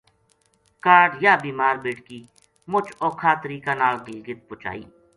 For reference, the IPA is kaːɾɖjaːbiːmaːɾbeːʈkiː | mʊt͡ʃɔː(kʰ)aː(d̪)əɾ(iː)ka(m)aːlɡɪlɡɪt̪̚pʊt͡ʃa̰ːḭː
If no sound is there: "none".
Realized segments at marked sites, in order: kʰ, t̪, iː, n

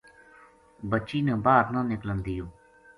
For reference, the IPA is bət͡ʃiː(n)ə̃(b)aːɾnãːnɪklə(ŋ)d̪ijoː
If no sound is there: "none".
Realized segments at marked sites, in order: n, b, n

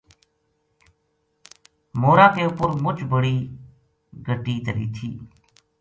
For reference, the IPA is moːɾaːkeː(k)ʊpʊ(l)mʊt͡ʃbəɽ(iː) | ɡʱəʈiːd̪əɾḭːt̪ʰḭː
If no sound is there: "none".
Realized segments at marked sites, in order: none, ɾ, iː

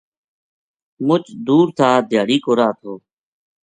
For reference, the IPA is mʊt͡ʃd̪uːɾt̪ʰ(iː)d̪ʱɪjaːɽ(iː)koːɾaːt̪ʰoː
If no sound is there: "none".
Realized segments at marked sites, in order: aː, iː

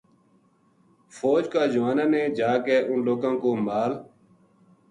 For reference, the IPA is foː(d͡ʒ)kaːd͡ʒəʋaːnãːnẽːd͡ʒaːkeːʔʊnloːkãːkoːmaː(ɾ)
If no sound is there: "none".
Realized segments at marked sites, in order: d͡ʒ, l

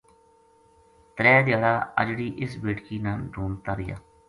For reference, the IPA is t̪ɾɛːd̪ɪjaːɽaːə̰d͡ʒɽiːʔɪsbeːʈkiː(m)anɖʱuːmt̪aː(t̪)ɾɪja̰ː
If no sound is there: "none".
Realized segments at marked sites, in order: n, none

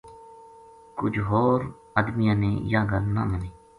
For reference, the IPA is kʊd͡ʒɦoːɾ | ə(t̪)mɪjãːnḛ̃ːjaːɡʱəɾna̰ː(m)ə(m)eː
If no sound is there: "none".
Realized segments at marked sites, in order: d̪, m, n

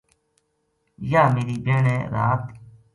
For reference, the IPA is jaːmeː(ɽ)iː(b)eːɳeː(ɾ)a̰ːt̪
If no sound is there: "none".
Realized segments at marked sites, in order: ɾ, b, ɾ

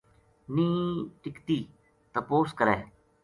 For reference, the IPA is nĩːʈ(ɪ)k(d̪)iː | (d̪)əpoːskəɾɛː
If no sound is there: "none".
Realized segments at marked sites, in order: ɪ, t̪, t̪

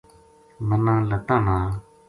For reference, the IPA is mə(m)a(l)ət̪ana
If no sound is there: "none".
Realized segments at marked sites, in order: n, l

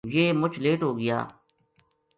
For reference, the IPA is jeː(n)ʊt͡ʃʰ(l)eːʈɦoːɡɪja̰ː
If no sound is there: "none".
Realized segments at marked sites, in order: m, l

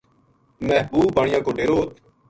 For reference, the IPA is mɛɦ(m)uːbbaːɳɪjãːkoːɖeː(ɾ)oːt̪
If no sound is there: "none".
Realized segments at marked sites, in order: b, ɾ

